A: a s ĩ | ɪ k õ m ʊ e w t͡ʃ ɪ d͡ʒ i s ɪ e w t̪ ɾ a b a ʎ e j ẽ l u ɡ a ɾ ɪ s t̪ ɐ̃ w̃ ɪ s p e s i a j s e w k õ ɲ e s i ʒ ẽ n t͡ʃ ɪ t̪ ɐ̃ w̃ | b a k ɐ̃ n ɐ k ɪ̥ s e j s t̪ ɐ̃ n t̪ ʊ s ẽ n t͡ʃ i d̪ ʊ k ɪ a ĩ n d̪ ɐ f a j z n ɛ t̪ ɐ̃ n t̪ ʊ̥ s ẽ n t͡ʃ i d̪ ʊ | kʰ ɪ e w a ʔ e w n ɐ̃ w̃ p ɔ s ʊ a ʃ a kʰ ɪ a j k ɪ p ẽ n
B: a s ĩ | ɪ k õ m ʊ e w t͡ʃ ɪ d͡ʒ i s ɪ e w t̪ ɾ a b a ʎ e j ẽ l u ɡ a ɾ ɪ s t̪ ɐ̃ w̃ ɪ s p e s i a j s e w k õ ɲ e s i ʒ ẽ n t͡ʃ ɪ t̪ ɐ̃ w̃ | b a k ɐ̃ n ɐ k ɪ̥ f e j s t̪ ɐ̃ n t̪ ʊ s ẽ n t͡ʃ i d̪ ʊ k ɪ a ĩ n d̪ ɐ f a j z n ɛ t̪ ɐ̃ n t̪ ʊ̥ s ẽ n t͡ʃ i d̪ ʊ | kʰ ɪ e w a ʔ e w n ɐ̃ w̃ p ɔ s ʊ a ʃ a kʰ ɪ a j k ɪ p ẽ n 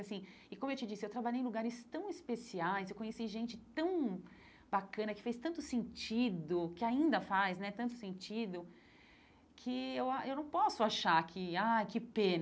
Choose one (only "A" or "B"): B